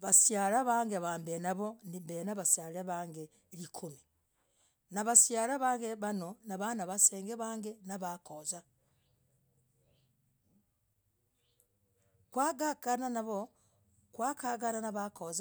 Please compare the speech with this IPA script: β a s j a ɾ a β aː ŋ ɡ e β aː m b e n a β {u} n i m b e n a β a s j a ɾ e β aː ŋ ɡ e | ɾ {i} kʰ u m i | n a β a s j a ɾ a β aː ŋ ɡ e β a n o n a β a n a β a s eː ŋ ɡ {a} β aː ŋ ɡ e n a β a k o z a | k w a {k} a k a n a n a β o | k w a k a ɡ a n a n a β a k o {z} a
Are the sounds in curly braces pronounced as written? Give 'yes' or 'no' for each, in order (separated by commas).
no, yes, no, no, yes